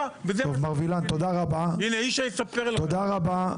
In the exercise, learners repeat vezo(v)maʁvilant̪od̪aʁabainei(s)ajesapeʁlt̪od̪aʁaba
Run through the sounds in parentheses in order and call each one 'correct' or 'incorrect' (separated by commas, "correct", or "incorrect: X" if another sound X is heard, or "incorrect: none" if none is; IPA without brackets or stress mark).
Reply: correct, incorrect: ʃ